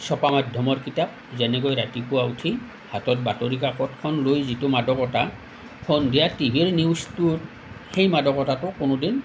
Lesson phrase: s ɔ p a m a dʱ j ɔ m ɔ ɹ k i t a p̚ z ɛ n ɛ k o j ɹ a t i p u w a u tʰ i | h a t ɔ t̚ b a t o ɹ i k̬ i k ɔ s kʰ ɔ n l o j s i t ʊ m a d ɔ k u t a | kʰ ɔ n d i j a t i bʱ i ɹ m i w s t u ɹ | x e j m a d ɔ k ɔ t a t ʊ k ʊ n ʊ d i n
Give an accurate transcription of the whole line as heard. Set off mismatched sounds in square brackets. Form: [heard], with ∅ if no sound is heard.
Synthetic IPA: s ɔ p a m a dʱ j ɔ m ɔ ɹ k i t a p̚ z ɛ n ɛ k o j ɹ a t i p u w a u tʰ i | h a t ɔ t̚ b a t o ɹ i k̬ [a] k ɔ [t] kʰ ɔ n l o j [z] i t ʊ m a d ɔ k [ɔ] t a | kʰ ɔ n d i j a t i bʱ i ɹ [n] i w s t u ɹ | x e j m a d ɔ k ɔ t a t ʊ k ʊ n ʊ d i n

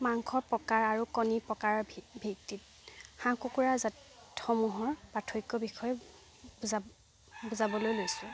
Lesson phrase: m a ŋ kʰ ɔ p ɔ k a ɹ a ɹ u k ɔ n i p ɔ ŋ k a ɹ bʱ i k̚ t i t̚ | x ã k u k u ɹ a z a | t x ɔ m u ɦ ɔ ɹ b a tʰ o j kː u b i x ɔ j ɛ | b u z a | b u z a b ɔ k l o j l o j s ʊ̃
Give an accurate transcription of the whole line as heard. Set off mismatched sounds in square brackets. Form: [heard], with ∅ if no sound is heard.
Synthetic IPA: m a ŋ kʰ ɔ p ɔ k a ɹ a ɹ u k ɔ n i p ɔ [∅] k a ɹ bʱ i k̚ t i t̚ | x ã k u k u ɹ a z a | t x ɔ m u ɦ ɔ ɹ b a tʰ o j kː [ɔ] b i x ɔ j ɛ | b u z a | b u z a b ɔ [∅] l o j l o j s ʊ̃

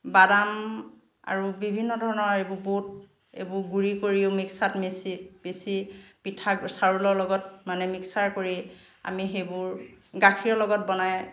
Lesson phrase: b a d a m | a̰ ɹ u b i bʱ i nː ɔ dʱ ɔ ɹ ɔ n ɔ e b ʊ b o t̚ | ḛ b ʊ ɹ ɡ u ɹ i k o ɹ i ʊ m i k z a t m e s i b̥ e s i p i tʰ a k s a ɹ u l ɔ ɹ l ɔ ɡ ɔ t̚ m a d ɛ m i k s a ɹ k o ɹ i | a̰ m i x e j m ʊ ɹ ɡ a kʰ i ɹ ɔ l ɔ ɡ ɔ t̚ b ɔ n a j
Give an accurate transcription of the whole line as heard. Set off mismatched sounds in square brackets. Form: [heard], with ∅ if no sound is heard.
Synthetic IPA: b a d a m | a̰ ɹ u b i bʱ i nː ɔ dʱ ɔ ɹ ɔ n ɔ e b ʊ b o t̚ | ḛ b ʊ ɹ ɡ u ɹ i k o ɹ i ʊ m i k [s] a t m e s i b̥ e s i p i tʰ a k s a ɹ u l ɔ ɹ l ɔ ɡ ɔ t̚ m a [n] ɛ m i k s a ɹ k o ɹ i | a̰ m i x e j [b] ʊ ɹ ɡ a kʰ i ɹ ɔ l ɔ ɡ ɔ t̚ b ɔ n a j

